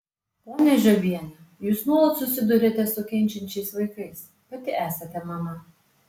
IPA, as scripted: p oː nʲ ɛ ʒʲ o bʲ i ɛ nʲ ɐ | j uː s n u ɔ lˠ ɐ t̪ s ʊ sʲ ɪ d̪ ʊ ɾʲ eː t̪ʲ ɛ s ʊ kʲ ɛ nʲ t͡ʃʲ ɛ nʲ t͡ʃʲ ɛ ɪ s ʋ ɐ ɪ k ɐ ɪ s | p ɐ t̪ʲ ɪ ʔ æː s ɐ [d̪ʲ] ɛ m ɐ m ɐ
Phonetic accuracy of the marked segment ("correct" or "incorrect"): incorrect